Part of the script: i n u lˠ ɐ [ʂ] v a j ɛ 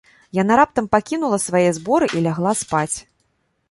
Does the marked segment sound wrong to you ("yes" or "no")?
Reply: yes